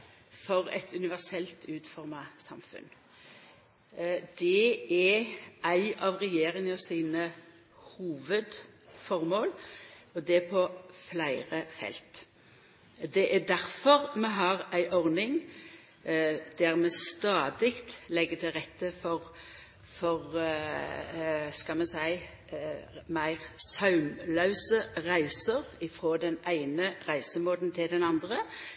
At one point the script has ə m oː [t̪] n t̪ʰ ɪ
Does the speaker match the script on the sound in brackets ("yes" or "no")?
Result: no